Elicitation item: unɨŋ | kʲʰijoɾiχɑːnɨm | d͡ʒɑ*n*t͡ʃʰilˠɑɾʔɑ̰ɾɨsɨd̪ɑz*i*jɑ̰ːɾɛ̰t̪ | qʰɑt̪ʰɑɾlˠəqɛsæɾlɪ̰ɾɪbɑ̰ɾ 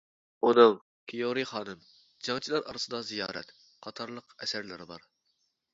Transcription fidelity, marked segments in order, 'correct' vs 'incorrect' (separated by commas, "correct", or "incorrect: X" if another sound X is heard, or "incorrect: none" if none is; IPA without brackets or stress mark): incorrect: ŋ, correct